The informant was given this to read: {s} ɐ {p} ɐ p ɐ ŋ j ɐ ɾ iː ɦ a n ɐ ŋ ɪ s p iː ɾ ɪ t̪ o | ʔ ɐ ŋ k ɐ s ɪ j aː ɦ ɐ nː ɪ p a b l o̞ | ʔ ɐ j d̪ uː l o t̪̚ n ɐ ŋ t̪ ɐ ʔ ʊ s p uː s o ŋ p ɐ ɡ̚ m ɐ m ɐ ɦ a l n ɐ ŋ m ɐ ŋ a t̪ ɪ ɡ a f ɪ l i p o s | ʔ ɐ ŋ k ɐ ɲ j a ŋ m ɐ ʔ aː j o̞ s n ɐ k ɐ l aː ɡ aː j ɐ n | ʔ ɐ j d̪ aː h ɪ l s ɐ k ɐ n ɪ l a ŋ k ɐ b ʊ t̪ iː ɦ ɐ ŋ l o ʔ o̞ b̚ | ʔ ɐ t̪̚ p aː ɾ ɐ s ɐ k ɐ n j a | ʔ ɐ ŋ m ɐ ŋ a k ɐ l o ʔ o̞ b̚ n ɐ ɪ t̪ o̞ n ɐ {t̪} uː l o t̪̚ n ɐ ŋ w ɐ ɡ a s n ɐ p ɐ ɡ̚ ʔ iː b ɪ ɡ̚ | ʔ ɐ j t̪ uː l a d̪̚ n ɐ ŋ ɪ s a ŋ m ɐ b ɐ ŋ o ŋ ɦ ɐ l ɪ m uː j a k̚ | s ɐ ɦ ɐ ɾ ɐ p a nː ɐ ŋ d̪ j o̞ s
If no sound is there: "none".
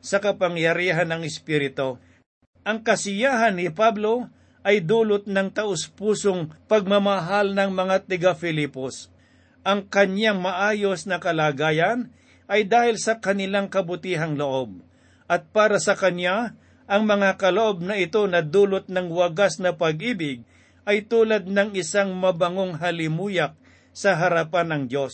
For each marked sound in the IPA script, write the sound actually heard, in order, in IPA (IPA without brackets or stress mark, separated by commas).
s, k, d̪